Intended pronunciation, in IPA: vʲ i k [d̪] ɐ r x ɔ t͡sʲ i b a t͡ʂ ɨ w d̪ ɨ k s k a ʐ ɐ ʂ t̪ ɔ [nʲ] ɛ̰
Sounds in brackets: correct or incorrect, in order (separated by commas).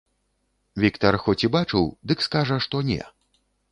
incorrect, correct